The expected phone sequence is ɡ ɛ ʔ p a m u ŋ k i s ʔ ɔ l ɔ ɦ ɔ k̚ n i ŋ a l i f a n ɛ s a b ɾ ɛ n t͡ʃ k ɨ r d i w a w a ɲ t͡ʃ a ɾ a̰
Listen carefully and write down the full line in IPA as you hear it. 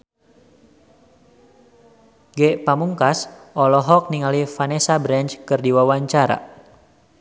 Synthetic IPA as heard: ɡ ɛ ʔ p a m u ŋ k a s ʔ ɔ l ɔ ɦ ɔ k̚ n i ŋ a l i f a n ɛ s a b ɾ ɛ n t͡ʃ k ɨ r d i w a w a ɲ t͡ʃ a ɾ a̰